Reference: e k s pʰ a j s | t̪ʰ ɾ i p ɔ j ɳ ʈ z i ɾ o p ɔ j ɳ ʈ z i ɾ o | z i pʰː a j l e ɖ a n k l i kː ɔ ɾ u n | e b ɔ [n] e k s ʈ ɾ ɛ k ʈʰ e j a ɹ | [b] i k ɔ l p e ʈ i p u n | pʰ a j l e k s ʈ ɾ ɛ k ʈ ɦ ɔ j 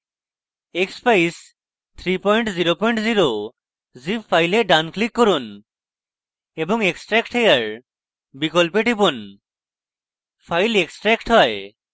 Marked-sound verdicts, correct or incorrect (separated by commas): incorrect, correct